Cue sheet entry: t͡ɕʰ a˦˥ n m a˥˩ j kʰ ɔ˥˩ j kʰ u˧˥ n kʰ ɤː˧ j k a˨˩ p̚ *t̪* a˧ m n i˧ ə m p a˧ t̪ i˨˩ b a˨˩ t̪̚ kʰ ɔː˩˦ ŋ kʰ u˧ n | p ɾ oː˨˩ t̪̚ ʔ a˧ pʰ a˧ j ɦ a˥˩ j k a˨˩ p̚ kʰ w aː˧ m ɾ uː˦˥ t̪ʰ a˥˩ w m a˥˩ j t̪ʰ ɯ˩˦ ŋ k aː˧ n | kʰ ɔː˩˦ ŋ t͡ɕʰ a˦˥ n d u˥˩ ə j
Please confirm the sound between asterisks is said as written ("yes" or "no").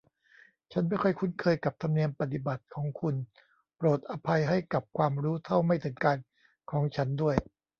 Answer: no